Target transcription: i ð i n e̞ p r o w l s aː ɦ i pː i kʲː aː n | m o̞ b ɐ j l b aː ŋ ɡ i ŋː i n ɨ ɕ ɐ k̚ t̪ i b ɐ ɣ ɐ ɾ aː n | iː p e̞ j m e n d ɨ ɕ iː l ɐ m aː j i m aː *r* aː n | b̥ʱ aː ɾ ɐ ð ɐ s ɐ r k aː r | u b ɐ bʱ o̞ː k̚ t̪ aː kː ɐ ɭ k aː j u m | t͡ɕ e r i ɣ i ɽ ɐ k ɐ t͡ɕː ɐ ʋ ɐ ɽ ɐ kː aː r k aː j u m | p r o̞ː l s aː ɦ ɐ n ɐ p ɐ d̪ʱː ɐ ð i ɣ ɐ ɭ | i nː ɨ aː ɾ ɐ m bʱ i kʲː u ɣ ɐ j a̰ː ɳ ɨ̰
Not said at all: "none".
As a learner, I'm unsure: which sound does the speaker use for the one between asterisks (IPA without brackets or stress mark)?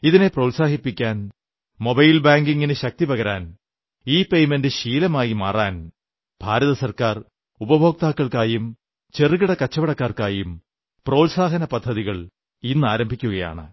r